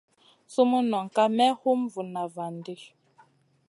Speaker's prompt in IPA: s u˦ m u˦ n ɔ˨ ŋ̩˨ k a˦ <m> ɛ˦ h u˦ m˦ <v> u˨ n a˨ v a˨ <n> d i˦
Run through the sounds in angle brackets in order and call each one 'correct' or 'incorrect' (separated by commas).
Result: correct, correct, correct